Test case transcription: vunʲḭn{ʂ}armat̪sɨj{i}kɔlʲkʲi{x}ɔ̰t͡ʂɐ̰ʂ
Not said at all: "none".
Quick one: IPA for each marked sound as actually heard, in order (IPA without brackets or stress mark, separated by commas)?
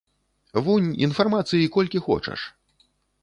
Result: f, i, x